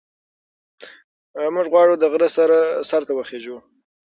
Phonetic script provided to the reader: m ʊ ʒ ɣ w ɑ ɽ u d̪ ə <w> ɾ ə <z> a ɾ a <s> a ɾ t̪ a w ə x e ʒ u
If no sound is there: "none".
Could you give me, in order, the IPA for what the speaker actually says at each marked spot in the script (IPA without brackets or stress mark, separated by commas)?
ɣ, s, s